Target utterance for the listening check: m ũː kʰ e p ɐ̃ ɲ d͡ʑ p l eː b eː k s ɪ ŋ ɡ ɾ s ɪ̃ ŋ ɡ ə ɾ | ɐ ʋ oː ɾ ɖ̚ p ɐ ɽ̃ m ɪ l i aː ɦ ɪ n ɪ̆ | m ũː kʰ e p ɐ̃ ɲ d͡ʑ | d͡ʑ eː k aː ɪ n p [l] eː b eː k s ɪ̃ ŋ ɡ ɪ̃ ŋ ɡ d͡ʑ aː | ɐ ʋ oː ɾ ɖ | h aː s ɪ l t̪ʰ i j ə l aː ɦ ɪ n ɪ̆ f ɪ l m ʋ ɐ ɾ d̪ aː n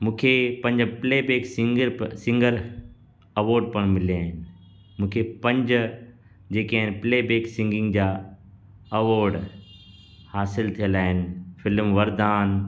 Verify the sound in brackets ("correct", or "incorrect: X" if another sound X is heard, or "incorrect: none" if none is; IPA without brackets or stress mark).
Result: correct